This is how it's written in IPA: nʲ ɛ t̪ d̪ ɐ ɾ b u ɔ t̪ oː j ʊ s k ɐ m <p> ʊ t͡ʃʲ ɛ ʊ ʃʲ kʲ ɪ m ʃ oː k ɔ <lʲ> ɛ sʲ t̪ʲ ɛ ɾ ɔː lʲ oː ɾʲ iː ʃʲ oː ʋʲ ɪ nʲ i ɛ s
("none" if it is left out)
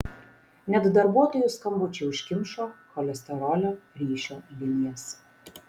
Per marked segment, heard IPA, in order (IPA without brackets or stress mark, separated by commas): b, lʲ